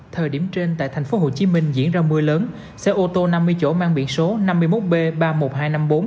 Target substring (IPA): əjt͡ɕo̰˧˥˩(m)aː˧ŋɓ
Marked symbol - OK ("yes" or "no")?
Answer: yes